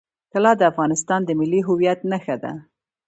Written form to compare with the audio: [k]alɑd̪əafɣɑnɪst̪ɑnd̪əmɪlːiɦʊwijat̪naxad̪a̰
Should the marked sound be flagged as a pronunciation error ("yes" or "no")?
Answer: no